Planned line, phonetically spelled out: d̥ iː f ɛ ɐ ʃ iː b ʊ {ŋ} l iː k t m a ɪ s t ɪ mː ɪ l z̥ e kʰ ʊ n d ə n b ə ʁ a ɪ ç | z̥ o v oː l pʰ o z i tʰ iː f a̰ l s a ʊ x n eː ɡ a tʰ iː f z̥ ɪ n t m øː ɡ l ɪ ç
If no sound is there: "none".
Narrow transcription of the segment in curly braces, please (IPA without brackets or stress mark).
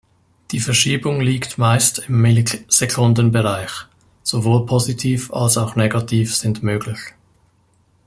ŋ